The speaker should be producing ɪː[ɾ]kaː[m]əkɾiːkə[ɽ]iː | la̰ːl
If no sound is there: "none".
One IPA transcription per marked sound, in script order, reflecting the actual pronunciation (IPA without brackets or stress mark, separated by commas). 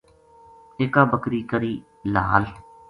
none, b, ɾ